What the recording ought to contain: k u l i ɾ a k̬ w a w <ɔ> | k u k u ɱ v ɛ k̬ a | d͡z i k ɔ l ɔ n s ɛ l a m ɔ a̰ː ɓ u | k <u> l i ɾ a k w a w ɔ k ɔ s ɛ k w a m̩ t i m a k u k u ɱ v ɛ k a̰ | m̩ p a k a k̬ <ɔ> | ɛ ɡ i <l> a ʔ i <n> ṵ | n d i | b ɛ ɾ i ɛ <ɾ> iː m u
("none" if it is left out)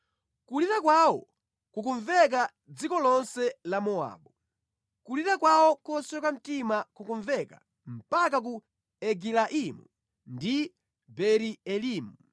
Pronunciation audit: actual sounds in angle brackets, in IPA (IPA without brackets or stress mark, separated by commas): ɔ, u, u, l, m, l